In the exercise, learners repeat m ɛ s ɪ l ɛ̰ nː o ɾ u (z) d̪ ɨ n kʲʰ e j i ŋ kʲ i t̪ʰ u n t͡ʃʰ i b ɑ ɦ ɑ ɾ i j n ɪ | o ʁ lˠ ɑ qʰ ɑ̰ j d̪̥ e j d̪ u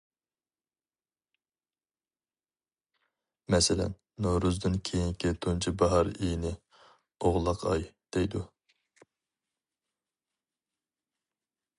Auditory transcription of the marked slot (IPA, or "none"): z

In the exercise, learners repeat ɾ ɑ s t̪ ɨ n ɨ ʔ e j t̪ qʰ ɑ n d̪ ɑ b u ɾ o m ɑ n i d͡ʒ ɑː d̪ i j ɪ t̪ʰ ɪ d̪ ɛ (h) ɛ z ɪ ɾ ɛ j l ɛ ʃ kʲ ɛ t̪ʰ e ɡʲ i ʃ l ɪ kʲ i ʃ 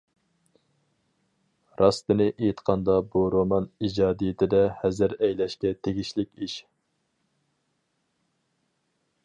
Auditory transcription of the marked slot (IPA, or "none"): h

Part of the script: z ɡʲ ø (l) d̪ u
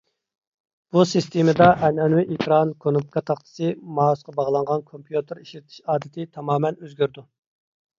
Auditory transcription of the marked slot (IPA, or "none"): ɾ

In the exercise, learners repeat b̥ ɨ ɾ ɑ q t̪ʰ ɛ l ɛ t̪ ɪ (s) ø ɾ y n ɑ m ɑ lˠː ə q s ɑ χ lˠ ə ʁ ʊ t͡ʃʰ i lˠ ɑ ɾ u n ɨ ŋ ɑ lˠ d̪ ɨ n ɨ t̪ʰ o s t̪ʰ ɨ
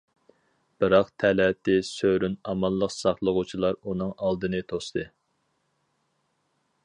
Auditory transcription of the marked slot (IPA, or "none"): s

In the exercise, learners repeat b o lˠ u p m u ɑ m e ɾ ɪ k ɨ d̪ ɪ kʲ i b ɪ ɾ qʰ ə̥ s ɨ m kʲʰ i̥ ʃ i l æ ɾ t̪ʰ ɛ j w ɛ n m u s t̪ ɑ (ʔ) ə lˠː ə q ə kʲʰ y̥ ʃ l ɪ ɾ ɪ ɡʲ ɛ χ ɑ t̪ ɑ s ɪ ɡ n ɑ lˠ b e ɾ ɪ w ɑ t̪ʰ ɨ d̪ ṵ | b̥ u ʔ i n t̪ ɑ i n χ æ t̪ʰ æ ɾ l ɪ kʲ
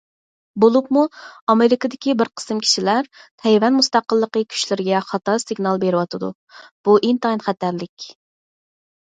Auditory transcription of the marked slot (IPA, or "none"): q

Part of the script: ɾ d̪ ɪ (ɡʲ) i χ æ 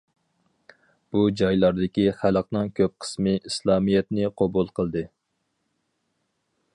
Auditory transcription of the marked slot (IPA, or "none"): kʲ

